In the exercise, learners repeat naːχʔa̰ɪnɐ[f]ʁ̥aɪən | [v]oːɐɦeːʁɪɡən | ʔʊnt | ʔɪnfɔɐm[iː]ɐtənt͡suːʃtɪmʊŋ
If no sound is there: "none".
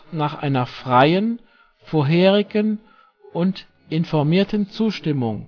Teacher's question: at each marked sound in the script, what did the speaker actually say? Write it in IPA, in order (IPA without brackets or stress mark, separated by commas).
f, f, iː